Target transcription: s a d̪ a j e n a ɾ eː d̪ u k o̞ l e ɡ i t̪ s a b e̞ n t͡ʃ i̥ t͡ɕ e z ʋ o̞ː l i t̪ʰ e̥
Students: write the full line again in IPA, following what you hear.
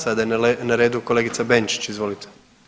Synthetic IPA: s a d̪ a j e n a ɾ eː d̪ u k o̞ l e ɡ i t̪ s a b e̞ n t͡ʃ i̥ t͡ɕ i z ʋ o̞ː l i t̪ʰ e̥